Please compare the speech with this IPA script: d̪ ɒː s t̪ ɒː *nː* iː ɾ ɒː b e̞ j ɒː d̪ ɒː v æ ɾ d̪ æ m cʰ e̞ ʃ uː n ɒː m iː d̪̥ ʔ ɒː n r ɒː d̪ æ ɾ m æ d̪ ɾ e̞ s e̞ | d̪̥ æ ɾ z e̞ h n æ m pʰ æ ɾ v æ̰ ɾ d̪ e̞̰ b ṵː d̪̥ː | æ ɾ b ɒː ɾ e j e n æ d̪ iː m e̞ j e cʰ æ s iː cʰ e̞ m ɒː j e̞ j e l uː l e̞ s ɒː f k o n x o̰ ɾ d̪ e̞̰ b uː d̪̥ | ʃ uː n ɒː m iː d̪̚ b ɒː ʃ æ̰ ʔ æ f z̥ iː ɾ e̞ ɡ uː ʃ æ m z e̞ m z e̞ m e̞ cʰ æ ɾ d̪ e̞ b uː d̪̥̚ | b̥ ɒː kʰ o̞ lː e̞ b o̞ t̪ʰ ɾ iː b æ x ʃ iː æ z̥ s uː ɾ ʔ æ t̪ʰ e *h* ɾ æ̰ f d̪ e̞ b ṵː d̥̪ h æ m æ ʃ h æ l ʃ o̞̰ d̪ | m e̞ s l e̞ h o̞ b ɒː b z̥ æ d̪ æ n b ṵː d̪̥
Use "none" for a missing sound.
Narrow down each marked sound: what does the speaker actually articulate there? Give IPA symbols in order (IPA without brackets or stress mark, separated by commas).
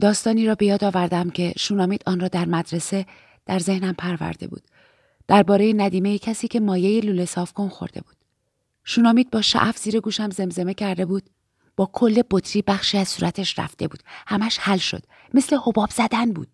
n, ʃ